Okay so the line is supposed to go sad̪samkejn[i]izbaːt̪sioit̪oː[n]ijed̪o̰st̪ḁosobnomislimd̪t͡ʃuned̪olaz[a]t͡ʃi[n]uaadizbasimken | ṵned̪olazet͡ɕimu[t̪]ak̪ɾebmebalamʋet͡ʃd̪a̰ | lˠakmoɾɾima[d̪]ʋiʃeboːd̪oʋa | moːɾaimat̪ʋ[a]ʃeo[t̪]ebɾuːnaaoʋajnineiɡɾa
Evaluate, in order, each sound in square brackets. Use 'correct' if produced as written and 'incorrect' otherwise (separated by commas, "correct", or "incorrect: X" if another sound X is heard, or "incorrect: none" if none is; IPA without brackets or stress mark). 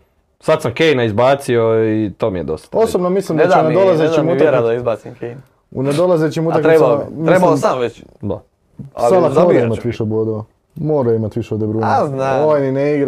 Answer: incorrect: a, incorrect: m, incorrect: e, incorrect: m, correct, incorrect: t̪, incorrect: i, incorrect: d̪